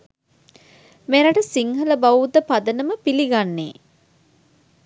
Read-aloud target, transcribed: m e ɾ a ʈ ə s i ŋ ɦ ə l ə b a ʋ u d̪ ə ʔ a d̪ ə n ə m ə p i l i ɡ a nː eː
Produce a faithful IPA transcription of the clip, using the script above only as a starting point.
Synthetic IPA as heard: m e ɾ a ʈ ə s i ŋ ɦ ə l ə b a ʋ u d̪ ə p a d̪ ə n ə m ə p i l i ɡ a nː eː